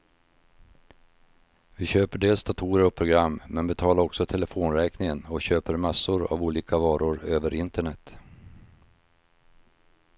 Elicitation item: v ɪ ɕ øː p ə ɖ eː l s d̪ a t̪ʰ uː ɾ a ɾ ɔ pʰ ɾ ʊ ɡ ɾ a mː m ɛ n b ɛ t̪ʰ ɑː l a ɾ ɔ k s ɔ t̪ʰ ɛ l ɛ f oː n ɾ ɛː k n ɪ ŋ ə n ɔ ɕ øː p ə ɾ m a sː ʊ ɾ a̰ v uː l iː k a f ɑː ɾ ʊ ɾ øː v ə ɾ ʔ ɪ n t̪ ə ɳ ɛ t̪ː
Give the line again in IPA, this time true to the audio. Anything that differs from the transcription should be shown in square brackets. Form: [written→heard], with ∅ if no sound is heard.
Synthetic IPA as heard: v ɪ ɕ øː p ə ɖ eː l s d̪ a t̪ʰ uː ɾ [a→ə] ɾ ɔ pʰ ɾ ʊ ɡ ɾ a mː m ɛ n b ɛ t̪ʰ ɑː l a ɾ ɔ k s ɔ t̪ʰ ɛ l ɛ f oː n ɾ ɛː k n ɪ ŋ ə n ɔ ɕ øː p ə ɾ m a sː ʊ ɾ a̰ v uː l iː k a [f→v] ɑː ɾ ʊ ɾ øː v ə ɾ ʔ ɪ n t̪ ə ɳ ɛ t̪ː

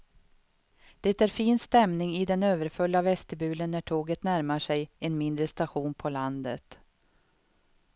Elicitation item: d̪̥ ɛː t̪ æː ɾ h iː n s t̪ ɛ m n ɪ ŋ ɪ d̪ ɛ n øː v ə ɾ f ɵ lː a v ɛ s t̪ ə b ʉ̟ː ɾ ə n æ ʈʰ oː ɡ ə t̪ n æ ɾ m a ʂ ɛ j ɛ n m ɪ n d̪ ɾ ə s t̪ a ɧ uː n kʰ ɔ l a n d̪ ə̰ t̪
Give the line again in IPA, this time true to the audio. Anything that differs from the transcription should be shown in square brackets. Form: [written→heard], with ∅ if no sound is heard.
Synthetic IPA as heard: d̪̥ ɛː t̪ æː ɾ [h→f] iː n s t̪ ɛ m n ɪ ŋ ɪ d̪ ɛ n øː v ə ɾ f ɵ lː a v ɛ s t̪ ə b ʉ̟ː [ɾ→l] ə [n→nː] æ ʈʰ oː ɡ ə t̪ n æ ɾ m a ʂ ɛ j ɛ n m ɪ n d̪ ɾ ə s t̪ a ɧ uː n [kʰ→pʰ] ɔ l a n d̪ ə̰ t̪

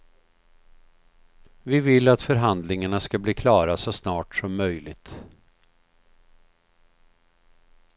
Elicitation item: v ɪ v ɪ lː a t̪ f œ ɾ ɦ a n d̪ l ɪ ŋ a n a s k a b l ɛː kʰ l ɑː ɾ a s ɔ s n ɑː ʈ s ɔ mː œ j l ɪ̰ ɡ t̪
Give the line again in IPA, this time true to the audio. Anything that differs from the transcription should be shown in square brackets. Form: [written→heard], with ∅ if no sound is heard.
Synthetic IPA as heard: v ɪ v ɪ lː a t̪ f œ ɾ ɦ a n d̪ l ɪ ŋ a [n→ɳ] a s k a b l [ɛː→iː] kʰ l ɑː ɾ a s ɔ s n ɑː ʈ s ɔ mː œ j l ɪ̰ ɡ t̪

